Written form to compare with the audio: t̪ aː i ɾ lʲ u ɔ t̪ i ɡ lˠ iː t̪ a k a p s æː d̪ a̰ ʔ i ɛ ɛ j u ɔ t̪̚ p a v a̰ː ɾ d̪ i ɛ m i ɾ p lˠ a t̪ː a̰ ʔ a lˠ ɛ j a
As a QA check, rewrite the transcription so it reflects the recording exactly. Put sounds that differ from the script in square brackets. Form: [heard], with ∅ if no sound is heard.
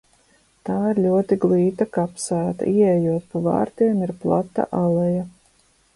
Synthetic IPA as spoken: t̪ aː i ɾ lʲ u ɔ t̪ i ɡ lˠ iː t̪ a k a p s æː [t̪] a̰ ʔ i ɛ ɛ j u ɔ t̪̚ p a v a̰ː ɾ [t̪] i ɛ m i ɾ p lˠ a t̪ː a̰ ʔ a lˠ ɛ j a